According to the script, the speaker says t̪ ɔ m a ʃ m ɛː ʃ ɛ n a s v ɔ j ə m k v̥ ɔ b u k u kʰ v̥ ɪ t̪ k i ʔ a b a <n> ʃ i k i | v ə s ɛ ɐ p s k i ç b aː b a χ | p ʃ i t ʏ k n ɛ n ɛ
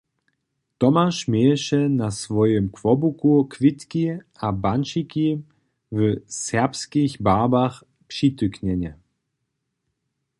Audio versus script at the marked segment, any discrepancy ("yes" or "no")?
no